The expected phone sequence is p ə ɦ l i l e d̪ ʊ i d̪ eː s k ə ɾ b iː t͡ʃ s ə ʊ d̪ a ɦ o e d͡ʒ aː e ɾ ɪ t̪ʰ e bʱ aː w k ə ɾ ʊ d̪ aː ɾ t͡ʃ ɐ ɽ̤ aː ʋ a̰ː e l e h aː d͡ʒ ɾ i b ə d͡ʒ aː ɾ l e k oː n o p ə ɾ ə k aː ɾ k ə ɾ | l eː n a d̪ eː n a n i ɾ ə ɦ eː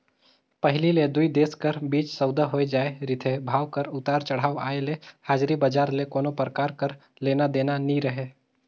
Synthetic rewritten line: p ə ɦ l i l e d̪ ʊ i d̪ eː s k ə ɾ b iː t͡ʃ s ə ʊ d̪ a ɦ o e d͡ʒ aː e ɾ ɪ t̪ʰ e bʱ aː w k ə ɾ ʊ t̪ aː ɾ t͡ʃ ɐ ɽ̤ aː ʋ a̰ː e l e h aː d͡ʒ ɾ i b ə d͡ʒ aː ɾ l e k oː n o p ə ɾ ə k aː ɾ k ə ɾ | l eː n a d̪ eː n a n i ɾ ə ɦ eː

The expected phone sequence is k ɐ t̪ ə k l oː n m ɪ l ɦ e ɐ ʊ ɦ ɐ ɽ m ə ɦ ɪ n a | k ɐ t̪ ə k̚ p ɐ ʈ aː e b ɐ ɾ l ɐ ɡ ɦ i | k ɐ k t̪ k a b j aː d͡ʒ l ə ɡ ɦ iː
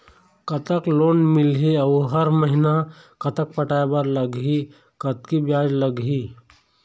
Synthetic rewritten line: k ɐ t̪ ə k l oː n m ɪ l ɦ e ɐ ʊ ɦ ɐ ɾ m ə ɦ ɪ n a | k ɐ t̪ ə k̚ p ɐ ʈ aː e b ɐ ɾ l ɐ ɡ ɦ i | k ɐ t̪ k i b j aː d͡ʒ l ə ɡ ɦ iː

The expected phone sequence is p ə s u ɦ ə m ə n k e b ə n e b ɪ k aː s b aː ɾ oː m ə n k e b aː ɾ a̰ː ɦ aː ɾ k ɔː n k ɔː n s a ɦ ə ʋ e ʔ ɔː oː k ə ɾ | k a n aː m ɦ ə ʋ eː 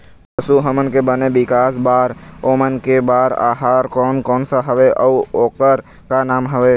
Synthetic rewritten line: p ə s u ɦ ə m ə n k e b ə n e b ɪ k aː s b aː ɾ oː m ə n k e b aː ɾ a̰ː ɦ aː ɾ k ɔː n k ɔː n s a ɦ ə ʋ e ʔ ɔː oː k ə ɾ | k a n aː m ɦ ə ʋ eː

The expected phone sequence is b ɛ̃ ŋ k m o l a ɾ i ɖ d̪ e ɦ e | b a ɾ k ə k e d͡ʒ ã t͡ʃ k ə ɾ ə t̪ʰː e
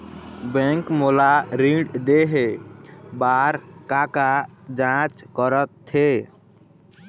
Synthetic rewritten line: b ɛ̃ ŋ k m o l a ɾ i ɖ d̪ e ɦ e | b a ɾ k a k a d͡ʒ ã t͡ʃ k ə ɾ ə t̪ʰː e

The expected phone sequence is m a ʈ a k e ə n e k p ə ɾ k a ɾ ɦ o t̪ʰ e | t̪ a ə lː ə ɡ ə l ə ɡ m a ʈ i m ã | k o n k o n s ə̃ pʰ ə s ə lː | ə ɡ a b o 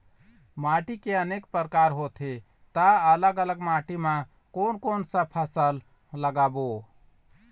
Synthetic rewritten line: m a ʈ i k e ə n e k p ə ɾ k a ɾ ɦ o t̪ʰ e | t̪ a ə l ə ɡ ə l ə ɡ m a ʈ i m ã | k o n k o n s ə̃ pʰ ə s ə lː | ə ɡ a b o

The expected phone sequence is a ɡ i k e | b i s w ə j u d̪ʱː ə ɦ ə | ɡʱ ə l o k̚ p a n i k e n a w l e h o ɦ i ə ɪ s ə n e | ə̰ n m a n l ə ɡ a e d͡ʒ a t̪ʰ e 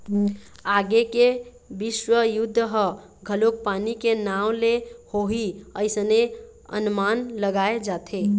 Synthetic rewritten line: a ɡ e k e | b i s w ə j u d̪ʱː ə ɦ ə | ɡʱ ə l o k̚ p a n i k e n a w l e h o ɦ i ə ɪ s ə n e | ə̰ n m a n l ə ɡ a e d͡ʒ a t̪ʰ e

